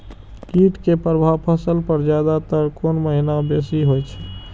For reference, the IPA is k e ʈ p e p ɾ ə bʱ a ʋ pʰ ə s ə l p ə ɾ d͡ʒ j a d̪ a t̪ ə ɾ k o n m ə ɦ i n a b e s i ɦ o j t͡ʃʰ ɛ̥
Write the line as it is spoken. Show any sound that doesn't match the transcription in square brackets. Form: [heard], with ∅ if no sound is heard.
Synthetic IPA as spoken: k [i] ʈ [k] e p ɾ ə bʱ a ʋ pʰ ə s ə l p ə ɾ d͡ʒ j a d̪ a t̪ ə ɾ k o n m ə ɦ i n a b e s i ɦ o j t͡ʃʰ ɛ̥